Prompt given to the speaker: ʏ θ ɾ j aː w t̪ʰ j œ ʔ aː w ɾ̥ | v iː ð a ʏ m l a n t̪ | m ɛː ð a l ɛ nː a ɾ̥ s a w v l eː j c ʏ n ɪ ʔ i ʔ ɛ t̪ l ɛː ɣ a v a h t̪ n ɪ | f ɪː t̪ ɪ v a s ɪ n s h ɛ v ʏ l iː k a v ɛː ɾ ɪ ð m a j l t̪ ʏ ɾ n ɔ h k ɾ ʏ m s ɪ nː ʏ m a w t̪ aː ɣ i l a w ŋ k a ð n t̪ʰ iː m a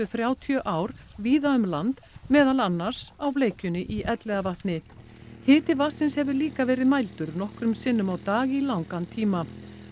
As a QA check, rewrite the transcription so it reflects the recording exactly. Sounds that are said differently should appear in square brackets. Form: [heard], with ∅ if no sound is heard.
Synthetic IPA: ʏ θ ɾ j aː w t̪ʰ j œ ʔ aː w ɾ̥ | v iː ð a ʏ m l a n t̪ | m ɛː ð a l [a] nː a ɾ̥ s a w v l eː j c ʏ n ɪ ʔ i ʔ ɛ t̪ l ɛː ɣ a v a h t̪ n ɪ | [h] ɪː t̪ ɪ v a s ɪ n s h ɛ v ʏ l iː k a v ɛː ɾ ɪ ð m a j l t̪ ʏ ɾ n ɔ h k ɾ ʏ m s ɪ nː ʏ m a w t̪ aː ɣ i l a w ŋ k a [∅] n t̪ʰ iː m a